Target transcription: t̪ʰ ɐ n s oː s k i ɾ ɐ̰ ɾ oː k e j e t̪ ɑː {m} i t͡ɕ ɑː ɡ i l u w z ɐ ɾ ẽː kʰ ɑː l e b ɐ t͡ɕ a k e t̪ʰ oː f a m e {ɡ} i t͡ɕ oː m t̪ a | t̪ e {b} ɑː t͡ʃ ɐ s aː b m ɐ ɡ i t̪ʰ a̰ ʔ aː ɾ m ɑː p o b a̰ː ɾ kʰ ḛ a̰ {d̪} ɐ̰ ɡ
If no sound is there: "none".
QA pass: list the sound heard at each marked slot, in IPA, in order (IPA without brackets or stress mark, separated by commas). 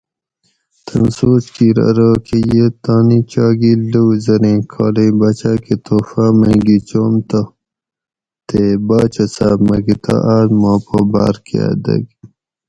n, ɡ, b, d̪